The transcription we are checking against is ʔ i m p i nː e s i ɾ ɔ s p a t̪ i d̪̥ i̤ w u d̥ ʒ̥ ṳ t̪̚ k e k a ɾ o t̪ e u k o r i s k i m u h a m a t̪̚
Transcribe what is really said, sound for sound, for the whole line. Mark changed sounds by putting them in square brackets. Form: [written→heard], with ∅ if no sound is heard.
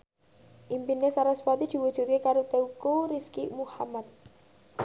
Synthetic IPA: ʔ i m p i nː e s [i→a] ɾ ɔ s p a t̪ i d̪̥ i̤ w u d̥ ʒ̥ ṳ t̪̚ k e k a ɾ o t̪ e u k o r i s k i m u h a m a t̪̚